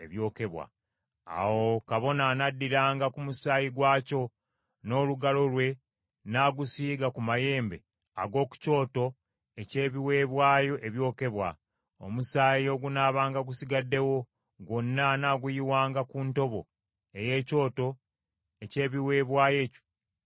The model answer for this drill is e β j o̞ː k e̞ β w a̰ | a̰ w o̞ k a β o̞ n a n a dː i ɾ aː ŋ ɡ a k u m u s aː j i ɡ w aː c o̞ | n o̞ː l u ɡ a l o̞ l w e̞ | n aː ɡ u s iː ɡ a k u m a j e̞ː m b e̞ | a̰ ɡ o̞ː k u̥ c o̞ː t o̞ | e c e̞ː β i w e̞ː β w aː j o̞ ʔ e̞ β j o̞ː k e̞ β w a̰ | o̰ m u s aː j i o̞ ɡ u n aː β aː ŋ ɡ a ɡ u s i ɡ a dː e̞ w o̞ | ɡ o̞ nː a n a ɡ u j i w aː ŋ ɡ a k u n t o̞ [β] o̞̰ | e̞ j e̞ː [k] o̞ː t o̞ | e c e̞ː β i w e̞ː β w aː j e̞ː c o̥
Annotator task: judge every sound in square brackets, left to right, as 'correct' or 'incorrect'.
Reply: correct, incorrect: c

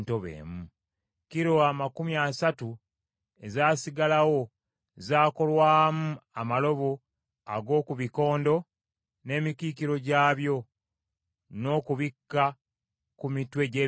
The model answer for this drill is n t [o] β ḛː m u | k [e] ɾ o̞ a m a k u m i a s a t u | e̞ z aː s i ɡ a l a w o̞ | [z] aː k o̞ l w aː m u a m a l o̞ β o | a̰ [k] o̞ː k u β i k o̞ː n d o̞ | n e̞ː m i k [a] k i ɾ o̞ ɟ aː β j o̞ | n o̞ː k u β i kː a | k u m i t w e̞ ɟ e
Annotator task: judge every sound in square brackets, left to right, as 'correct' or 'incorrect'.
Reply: correct, incorrect: i, correct, incorrect: ɡ, incorrect: i

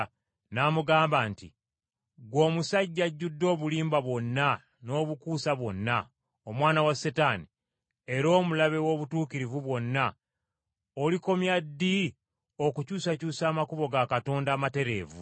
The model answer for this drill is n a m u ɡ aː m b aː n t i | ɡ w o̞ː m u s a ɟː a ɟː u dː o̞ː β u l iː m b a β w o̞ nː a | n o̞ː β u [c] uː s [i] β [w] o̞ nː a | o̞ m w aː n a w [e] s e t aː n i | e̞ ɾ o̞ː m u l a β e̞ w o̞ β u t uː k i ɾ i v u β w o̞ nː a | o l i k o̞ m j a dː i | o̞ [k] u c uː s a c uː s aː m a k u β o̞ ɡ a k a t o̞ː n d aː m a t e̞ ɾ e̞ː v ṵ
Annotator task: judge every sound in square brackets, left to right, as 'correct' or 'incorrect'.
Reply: incorrect: k, incorrect: a, correct, incorrect: a, correct

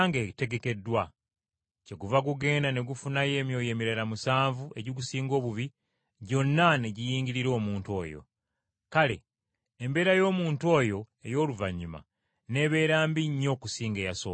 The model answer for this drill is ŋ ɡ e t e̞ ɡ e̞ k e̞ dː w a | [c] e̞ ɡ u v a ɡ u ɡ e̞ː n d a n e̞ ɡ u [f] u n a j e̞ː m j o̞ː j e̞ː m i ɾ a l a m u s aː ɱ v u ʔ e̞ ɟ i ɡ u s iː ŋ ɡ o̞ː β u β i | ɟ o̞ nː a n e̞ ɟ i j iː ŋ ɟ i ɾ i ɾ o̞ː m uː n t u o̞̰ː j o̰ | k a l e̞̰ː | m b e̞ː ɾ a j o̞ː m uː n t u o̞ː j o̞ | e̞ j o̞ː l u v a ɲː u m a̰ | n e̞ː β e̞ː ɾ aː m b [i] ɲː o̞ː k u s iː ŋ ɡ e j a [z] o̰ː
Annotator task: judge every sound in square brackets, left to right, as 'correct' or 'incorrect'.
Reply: correct, correct, correct, incorrect: s

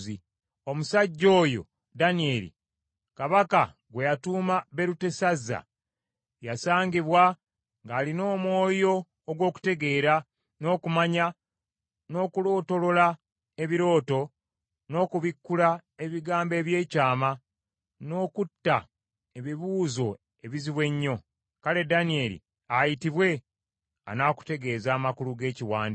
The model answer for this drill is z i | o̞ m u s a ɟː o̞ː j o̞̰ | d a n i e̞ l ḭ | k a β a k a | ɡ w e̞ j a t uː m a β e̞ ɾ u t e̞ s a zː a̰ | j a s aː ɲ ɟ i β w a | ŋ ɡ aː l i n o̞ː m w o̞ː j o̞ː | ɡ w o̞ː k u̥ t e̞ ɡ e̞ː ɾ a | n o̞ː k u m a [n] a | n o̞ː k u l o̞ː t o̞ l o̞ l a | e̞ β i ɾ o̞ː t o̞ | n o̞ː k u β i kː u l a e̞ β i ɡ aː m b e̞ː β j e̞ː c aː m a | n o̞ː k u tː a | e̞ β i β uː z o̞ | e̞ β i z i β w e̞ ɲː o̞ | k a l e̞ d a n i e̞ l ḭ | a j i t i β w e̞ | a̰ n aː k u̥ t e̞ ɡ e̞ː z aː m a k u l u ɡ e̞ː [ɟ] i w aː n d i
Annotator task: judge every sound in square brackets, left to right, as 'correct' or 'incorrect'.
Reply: incorrect: ɲ, incorrect: c

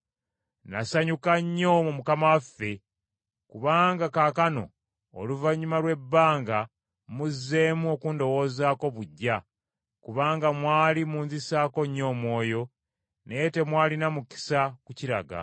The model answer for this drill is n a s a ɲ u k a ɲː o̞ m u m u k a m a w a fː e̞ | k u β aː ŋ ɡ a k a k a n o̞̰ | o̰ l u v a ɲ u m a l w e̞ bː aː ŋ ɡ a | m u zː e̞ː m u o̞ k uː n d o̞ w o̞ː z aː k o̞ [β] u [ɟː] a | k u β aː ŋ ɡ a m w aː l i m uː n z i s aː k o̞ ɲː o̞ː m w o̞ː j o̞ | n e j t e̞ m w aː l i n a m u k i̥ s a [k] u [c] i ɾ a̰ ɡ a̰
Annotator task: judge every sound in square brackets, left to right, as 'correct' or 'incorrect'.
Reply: correct, correct, correct, correct

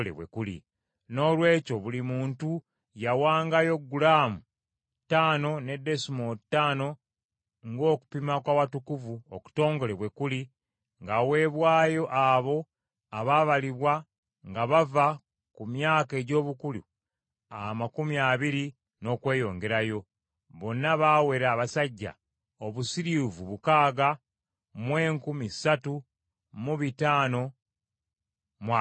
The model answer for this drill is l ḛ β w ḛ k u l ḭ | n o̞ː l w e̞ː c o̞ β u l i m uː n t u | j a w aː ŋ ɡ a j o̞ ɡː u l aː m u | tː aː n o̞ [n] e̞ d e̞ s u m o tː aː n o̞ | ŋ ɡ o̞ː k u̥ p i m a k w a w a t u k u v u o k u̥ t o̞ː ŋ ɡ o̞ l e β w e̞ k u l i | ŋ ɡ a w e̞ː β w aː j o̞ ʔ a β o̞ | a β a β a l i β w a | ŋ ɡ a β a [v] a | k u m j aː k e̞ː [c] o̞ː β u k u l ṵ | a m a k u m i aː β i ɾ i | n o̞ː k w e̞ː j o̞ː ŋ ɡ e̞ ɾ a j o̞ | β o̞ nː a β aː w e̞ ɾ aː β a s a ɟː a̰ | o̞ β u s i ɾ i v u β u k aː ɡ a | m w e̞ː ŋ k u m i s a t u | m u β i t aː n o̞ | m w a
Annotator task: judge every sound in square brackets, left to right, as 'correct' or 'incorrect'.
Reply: correct, correct, incorrect: ɟ

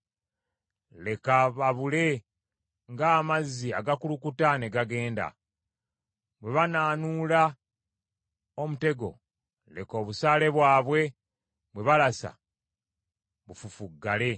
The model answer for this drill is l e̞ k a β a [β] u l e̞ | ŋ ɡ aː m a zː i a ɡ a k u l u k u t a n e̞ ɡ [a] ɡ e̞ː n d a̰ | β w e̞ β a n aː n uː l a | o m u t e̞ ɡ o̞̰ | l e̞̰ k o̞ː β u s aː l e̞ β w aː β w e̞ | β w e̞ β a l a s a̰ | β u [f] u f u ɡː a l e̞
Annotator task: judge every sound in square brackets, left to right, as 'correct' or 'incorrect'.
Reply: correct, correct, correct

